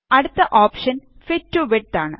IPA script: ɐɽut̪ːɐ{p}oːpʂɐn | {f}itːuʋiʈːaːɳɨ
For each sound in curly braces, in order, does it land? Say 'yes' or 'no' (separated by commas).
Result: no, yes